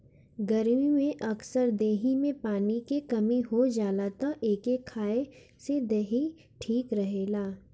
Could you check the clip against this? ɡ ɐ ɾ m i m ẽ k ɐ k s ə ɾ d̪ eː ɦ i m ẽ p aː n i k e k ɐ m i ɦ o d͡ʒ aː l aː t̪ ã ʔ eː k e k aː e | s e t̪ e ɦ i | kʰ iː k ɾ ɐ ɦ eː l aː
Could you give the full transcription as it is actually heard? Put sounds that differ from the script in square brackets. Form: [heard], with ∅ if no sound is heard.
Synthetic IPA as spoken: ɡ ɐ ɾ m i m ẽ [ʔ] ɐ k s ə ɾ d̪ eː ɦ i m ẽ p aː n i k e k ɐ m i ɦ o d͡ʒ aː l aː t̪ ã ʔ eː k e [kʰ] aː e | s e [d̪] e ɦ i | [ʈʰ] iː k ɾ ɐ ɦ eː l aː